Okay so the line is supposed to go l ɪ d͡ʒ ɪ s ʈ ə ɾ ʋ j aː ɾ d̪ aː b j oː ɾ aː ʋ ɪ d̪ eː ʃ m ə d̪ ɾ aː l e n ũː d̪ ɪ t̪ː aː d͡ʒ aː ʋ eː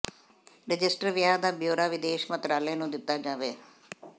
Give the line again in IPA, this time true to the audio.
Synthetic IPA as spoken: ɾ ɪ d͡ʒ ɪ s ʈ ə ɾ ʋ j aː d̪ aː b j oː ɾ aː ʋ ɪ d̪ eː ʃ m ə t̪ ɾ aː l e n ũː d̪ ɪ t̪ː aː d͡ʒ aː ʋ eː